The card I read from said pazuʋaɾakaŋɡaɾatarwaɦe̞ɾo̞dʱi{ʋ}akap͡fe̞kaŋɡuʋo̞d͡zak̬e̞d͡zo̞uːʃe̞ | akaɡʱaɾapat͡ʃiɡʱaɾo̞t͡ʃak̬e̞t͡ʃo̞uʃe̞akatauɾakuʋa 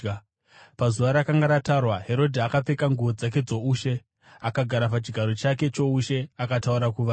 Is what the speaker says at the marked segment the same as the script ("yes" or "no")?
no